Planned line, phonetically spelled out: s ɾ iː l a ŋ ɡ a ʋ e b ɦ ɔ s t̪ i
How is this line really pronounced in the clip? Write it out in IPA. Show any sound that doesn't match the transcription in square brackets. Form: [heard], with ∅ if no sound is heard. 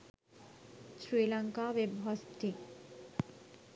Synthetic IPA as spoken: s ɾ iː l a ŋ [k] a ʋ e b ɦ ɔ s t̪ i